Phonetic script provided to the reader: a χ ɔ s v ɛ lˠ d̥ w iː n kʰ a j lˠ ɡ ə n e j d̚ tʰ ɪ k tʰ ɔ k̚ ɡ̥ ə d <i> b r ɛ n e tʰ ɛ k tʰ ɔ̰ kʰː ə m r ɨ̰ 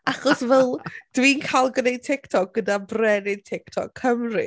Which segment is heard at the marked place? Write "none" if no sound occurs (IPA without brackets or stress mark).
a